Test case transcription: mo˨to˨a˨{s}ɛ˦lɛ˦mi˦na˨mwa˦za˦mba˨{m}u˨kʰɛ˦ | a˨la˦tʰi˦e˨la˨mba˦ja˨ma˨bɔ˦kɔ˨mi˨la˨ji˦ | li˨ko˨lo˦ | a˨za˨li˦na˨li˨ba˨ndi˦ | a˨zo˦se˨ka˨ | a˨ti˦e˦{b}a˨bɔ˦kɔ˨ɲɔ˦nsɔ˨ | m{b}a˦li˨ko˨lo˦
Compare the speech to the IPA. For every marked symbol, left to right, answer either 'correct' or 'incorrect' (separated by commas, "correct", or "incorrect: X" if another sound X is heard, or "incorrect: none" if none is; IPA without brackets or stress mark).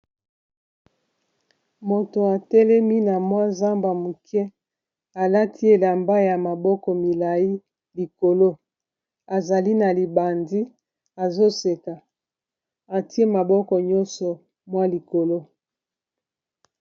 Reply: incorrect: t, correct, incorrect: m, incorrect: w